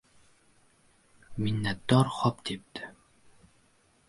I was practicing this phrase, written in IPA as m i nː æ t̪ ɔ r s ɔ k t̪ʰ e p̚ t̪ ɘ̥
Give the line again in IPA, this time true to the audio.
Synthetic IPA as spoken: m i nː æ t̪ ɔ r χ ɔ p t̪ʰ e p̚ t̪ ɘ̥